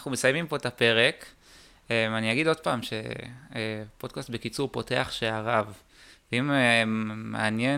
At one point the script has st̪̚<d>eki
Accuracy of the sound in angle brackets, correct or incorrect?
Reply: incorrect